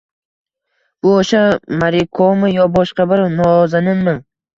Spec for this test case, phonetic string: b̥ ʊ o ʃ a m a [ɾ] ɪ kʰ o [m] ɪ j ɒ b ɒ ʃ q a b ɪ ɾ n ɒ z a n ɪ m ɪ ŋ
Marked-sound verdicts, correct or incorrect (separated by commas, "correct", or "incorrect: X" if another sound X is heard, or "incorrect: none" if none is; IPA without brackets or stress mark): correct, correct